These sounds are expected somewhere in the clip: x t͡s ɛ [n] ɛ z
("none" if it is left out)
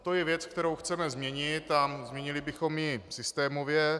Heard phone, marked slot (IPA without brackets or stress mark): m